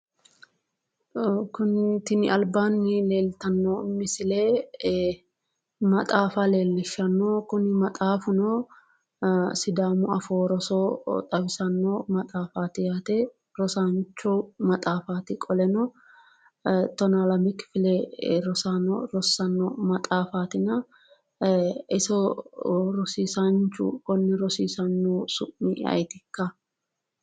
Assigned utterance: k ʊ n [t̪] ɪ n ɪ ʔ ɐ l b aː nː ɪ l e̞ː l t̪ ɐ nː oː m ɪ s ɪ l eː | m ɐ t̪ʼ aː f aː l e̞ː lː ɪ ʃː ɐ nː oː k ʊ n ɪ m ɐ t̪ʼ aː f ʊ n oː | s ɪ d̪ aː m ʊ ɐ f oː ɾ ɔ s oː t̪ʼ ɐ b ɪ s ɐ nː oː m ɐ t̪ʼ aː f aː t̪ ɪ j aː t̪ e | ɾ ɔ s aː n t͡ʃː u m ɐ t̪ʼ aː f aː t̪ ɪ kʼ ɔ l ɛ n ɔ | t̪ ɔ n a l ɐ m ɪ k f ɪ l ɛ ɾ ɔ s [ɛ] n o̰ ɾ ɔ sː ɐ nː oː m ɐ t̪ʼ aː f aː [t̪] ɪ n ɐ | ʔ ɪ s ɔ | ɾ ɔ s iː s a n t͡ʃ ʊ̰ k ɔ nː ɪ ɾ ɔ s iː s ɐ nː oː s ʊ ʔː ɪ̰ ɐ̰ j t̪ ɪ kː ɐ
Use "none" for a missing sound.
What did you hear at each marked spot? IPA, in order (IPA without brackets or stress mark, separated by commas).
t̪, a, t̪